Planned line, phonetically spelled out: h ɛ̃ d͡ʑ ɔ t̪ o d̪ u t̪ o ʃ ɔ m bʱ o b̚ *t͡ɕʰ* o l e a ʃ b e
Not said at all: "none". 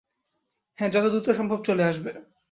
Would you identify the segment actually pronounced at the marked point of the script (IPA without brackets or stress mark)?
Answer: t͡ɕ